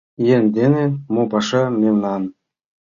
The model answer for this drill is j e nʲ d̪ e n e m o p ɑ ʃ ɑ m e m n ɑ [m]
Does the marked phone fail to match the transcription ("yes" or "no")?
yes